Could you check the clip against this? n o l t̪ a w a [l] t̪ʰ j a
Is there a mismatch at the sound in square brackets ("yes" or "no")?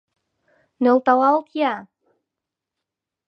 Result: no